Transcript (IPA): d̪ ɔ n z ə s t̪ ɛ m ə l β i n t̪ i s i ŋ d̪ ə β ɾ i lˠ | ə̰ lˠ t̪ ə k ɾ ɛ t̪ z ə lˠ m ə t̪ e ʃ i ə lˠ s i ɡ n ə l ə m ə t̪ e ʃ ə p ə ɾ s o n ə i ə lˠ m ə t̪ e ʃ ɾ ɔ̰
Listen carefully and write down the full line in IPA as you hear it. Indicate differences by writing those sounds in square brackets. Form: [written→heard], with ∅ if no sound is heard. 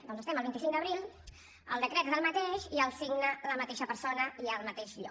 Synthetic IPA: d̪ ɔ n z ə s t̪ ɛ m ə l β i n t̪ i s i ŋ d̪ ə β ɾ i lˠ | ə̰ lˠ [t̪→d̪] ə k ɾ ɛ t̪ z ə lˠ m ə t̪ e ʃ i ə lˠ s i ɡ n ə l ə m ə t̪ e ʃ ə p ə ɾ s o n ə i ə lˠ m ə t̪ e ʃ [ɾ→ʎ] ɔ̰